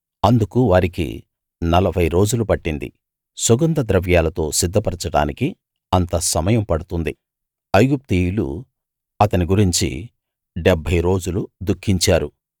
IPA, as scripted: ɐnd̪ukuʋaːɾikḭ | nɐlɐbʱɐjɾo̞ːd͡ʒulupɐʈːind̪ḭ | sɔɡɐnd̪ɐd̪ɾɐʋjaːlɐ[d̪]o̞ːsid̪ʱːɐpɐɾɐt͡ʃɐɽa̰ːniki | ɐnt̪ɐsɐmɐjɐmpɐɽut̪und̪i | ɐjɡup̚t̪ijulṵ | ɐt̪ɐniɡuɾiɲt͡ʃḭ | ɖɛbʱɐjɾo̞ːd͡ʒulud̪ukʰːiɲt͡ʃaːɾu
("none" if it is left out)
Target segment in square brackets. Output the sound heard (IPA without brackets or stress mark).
t̪